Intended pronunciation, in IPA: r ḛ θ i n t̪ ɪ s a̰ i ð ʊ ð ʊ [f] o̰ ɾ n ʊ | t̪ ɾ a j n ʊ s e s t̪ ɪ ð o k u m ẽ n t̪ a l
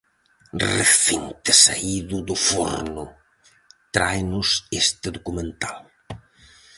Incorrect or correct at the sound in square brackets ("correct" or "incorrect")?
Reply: correct